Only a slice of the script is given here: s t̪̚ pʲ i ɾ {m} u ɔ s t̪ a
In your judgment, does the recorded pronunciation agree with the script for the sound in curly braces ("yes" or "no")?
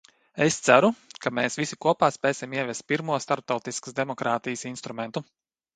yes